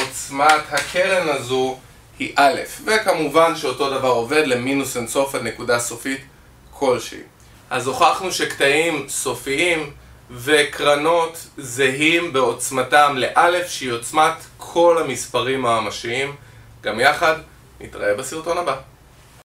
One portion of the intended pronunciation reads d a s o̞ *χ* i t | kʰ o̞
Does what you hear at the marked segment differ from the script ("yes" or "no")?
yes